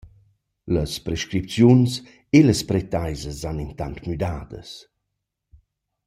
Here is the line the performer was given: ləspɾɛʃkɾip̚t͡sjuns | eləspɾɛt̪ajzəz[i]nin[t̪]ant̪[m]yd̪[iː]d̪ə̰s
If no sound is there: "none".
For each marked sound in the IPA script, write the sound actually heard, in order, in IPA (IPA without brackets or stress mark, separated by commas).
a, t̪, m, aː